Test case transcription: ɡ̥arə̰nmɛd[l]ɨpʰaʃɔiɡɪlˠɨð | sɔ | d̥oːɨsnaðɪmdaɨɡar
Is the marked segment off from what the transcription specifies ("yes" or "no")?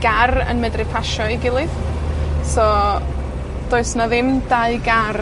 yes